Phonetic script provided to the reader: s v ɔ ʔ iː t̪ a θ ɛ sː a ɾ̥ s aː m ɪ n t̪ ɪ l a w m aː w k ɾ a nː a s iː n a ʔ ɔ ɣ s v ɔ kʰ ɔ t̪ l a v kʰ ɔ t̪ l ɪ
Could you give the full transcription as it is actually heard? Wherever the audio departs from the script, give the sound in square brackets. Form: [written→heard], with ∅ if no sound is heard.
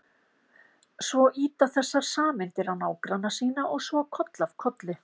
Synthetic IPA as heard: s v ɔ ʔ iː t̪ a θ ɛ sː a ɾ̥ s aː m ɪ n t̪ ɪ [l→ɾ] a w [m→n] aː w k ɾ a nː a s iː n a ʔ ɔ ɣ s v ɔ kʰ ɔ t̪ l a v kʰ ɔ t̪ l ɪ